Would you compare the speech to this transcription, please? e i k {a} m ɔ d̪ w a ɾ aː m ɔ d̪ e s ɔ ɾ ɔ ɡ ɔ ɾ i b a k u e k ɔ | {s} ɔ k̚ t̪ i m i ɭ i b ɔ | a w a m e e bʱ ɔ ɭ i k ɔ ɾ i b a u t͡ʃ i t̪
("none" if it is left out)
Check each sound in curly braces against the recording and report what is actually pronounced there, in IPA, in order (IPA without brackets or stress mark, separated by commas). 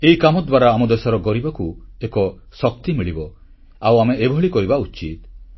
a, s